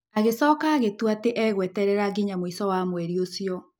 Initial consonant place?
velar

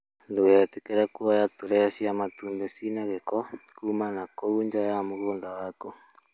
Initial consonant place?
alveolar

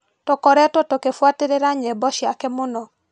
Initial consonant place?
alveolar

